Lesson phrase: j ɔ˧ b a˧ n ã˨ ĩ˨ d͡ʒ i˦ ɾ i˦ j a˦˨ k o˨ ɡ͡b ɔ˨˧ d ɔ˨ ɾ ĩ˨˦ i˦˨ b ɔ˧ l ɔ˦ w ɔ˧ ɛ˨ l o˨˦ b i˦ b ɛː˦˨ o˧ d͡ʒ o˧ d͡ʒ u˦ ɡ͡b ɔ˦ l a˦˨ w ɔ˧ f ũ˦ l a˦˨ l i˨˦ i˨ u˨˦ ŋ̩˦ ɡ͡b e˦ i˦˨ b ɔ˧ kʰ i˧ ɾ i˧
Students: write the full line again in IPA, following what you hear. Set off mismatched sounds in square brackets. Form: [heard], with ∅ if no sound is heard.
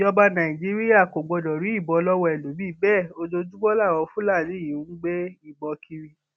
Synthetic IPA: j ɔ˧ b a˧ n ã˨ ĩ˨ d͡ʒ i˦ ɾ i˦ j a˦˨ k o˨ ɡ͡b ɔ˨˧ d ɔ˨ ɾ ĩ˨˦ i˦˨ b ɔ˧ l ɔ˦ w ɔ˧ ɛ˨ l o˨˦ b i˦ b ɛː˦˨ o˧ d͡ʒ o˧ d͡ʒ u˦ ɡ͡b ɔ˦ l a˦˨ w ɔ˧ f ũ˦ l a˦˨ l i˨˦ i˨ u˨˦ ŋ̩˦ ɡ͡b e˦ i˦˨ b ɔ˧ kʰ i˧ ɾ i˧